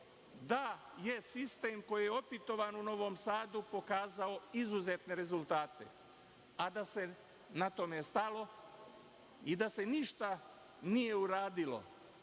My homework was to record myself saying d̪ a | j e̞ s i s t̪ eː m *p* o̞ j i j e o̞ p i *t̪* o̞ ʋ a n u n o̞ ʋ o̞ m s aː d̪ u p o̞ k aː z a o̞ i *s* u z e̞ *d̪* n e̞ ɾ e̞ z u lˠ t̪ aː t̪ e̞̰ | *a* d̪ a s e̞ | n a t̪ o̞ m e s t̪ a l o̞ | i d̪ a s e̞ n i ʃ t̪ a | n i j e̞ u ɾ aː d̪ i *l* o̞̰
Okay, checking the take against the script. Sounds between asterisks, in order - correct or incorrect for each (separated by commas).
incorrect, correct, incorrect, incorrect, correct, correct